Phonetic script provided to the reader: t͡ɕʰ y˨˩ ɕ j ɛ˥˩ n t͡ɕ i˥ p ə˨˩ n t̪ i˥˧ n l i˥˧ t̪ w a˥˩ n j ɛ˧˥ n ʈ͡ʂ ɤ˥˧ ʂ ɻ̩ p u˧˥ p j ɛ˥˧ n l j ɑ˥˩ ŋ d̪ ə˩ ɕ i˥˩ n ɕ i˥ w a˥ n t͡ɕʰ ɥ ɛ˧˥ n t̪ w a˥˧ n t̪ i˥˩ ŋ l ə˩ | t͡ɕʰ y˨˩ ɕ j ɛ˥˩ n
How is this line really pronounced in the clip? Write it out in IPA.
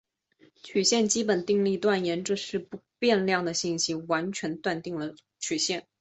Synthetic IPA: t͡ɕʰ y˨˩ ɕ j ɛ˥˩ n t͡ɕ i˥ p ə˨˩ n t̪ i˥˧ ŋ l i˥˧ t̪ w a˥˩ n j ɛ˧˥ n ʈ͡ʂ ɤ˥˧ ʂ ɻ̩ p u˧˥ p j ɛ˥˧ n l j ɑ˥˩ ŋ d̪ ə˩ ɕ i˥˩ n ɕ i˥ w a˧˥ n t͡ɕʰ ɥ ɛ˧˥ n t̪ w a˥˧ n t̪ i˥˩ ŋ l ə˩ | t͡ɕʰ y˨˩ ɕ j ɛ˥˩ n